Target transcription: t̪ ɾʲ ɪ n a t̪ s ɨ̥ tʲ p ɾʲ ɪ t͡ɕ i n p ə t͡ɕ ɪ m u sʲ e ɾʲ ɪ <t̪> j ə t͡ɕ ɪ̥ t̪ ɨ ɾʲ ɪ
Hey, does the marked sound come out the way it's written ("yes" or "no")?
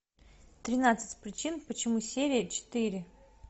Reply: no